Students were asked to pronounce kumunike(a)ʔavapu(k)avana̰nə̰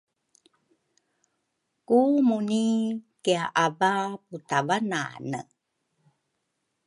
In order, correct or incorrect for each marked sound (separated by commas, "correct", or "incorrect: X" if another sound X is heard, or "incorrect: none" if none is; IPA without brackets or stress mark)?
correct, incorrect: t